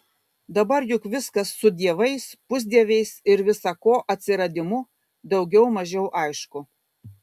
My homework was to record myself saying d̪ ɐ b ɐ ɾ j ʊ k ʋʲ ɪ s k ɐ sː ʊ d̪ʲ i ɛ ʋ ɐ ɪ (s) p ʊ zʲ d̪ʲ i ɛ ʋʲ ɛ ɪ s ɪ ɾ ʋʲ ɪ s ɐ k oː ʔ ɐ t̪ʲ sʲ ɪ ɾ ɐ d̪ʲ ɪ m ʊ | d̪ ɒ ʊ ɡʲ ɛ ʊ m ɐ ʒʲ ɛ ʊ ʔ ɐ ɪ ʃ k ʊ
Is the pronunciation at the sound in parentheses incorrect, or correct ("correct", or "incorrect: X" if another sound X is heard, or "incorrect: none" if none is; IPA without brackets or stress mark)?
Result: correct